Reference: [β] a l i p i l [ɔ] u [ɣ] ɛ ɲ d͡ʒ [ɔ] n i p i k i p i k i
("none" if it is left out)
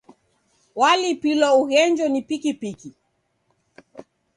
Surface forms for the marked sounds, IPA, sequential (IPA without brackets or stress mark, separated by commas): w, ɔ, ɣ, ɔ